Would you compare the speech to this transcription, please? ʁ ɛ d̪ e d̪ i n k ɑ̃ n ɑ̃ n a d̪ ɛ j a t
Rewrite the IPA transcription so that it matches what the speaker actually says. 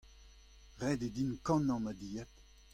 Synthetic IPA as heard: ʁ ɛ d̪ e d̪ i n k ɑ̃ n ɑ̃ m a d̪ i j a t